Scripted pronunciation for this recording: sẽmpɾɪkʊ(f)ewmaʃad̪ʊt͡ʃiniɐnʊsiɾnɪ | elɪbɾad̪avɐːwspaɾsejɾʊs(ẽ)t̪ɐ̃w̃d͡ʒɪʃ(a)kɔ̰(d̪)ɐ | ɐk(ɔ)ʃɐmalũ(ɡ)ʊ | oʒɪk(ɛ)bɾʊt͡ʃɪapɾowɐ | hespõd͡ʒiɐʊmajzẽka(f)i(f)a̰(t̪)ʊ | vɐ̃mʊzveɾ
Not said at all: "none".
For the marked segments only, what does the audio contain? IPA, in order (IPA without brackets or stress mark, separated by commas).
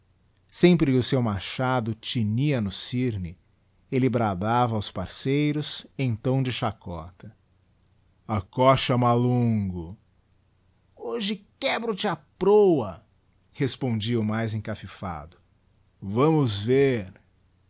s, ẽ, a, t̪, ɔ, ɡ, ɛ, f, f, d̪